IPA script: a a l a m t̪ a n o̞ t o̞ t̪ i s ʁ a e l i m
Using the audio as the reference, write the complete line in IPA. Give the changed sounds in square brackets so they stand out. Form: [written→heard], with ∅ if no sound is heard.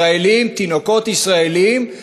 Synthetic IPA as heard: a [a→e] l [a→i] m t̪ [a→i] n o̞ [t→k] o̞ t̪ i s ʁ a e l i m